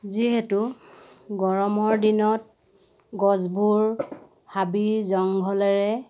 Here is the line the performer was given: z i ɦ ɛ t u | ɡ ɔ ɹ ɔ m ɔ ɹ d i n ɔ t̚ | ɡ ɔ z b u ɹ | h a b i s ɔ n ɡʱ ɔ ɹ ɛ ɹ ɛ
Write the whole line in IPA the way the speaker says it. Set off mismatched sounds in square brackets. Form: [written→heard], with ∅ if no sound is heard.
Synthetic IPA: z i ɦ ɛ t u | ɡ ɔ ɹ ɔ m ɔ ɹ d i n ɔ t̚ | ɡ ɔ z b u ɹ | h a b i [s→z] ɔ [n→ŋ] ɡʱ ɔ [ɹ→l] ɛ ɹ ɛ